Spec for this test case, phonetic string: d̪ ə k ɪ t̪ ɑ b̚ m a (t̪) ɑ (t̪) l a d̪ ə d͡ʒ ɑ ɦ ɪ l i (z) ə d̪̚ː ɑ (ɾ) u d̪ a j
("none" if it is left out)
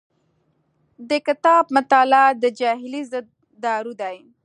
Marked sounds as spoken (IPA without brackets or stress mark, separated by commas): t̪, none, z, ɾ